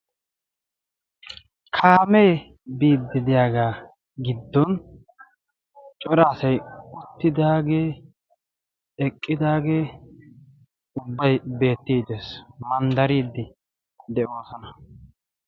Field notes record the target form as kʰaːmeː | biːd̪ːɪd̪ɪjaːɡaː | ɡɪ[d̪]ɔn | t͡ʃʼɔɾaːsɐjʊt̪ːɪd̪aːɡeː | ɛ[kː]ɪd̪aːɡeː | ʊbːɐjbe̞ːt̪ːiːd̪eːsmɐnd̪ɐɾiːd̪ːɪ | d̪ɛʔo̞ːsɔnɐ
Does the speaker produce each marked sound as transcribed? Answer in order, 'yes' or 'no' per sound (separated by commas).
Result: no, no